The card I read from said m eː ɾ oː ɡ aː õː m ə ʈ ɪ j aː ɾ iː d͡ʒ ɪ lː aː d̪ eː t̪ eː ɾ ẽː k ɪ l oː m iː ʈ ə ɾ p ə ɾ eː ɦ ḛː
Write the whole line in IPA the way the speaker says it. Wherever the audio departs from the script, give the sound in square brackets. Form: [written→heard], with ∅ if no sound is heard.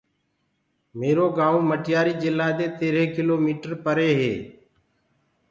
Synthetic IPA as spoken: m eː ɾ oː ɡ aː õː m ə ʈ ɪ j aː ɾ iː d͡ʒ ɪ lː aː d̪ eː t̪ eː ɾ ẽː k ɪ l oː m iː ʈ ə ɾ p ə ɾ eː ɦ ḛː

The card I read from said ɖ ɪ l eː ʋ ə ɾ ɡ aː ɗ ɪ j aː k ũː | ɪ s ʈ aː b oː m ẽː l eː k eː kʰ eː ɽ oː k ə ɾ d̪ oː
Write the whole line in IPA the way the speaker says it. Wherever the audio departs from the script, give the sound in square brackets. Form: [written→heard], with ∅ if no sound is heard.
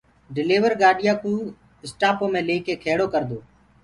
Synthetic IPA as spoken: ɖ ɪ l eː ʋ ə ɾ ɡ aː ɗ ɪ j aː k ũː | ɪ s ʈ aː [b→p] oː m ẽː l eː k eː kʰ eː ɽ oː k ə ɾ d̪ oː

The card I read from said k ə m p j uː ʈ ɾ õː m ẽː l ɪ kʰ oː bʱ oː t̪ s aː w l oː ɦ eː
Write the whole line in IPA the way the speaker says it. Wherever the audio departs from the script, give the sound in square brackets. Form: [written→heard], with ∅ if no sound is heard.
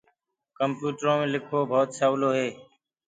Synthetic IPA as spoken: k ə m p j uː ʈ ɾ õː m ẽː l ɪ kʰ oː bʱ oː t̪ s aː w l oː ɦ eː

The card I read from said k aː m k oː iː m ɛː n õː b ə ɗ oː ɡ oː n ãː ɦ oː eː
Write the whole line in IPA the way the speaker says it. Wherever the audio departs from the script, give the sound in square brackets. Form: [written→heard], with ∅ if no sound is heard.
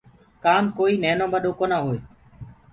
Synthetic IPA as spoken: k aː m k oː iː [m→n] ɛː n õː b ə ɗ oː [ɡ→k] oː n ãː ɦ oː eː

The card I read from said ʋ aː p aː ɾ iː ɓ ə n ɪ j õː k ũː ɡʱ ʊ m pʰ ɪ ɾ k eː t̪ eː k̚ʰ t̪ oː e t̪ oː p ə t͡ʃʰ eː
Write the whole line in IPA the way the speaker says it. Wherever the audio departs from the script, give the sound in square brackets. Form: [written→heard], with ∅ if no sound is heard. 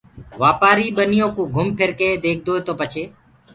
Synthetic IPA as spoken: ʋ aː p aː ɾ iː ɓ ə n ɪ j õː k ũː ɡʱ ʊ m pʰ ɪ ɾ k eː [t̪→d̪] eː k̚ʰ [t̪→d̪] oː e t̪ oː p ə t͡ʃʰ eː

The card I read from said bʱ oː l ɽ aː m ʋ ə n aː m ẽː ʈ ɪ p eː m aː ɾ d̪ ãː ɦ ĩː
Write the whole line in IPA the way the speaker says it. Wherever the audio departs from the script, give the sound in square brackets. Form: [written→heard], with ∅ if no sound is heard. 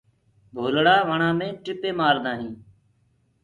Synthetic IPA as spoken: bʱ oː l ɽ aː [m→∅] ʋ ə [n→ɳ] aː m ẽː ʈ ɪ p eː m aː ɾ d̪ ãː ɦ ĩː

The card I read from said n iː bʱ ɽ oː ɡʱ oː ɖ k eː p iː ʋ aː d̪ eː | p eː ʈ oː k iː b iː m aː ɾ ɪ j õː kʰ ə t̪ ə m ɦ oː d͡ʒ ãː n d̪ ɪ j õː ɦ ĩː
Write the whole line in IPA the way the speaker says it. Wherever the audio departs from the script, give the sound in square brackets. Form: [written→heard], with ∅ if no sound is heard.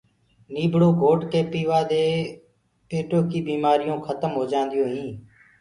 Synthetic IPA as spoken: n iː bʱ ɽ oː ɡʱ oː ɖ k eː p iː ʋ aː d̪ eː | p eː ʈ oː k iː b iː m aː ɾ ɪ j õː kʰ ə t̪ ə m ɦ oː d͡ʒ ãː n d̪ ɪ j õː ɦ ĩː

